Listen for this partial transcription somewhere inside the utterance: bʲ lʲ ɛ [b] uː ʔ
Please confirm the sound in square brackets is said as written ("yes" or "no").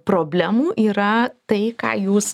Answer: no